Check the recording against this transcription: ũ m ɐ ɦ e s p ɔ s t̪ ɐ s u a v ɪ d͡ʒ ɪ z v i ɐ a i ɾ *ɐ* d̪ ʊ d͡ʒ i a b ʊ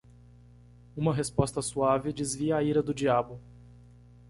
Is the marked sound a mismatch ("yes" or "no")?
no